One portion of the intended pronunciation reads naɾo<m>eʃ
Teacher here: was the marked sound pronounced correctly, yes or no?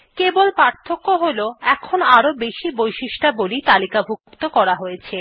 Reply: no